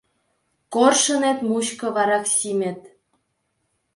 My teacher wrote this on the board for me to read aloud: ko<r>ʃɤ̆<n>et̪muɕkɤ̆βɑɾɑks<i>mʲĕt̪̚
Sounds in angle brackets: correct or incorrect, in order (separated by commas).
correct, correct, correct